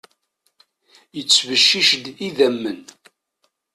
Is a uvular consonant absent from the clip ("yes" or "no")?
yes